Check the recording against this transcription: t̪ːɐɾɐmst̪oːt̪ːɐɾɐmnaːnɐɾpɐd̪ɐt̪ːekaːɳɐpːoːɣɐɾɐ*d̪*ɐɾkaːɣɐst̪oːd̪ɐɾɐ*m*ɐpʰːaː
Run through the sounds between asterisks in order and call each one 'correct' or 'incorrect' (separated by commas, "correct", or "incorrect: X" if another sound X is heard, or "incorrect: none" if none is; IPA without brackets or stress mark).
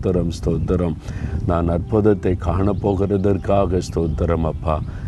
correct, correct